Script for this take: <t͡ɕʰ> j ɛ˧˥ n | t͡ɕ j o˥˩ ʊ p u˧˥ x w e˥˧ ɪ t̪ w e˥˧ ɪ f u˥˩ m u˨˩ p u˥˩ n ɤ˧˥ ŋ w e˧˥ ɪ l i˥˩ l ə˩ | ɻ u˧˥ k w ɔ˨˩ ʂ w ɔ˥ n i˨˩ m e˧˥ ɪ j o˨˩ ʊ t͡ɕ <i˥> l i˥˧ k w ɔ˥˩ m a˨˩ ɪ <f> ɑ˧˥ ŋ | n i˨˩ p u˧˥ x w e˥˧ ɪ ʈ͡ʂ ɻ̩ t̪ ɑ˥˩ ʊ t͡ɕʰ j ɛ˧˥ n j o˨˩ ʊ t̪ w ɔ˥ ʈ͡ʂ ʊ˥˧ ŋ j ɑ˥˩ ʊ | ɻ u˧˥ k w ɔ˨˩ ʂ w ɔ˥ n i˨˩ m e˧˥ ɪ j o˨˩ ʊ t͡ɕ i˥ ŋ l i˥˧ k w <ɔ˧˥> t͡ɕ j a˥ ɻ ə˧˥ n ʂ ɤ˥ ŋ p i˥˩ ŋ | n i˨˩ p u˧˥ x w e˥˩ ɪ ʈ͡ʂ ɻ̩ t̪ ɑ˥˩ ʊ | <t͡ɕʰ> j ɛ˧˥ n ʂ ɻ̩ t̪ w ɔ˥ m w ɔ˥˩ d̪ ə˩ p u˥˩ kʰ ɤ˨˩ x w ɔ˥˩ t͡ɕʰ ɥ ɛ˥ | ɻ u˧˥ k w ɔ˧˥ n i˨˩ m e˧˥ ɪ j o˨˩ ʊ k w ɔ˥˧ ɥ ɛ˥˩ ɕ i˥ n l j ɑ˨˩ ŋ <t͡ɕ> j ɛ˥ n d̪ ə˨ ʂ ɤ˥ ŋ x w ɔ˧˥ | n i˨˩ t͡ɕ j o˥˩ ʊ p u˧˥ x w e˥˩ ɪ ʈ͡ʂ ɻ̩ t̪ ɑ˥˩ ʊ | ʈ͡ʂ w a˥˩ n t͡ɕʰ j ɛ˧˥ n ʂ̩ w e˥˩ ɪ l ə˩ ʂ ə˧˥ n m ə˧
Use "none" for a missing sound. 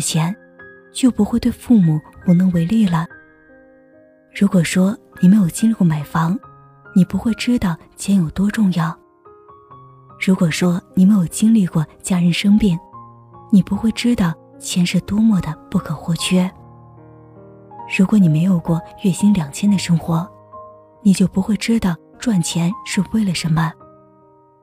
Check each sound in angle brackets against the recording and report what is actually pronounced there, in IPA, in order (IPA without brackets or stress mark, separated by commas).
t͡ɕʰ, i˥, f, ɔ˥˩, t͡ɕʰ, t͡ɕʰ